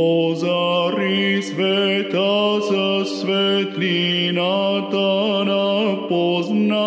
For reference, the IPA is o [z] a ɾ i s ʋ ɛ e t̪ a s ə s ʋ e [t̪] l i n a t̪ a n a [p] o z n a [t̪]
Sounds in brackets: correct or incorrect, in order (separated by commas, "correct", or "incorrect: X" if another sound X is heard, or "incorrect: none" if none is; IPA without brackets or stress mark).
correct, correct, correct, incorrect: none